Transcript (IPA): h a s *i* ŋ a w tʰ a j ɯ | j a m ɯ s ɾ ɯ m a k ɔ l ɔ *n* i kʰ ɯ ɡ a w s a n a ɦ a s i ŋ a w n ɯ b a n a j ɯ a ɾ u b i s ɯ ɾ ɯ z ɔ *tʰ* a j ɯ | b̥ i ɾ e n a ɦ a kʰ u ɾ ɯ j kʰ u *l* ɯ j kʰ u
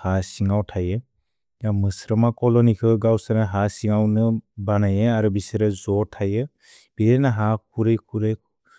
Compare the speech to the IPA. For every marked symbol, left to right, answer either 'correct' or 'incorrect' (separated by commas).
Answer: correct, correct, correct, incorrect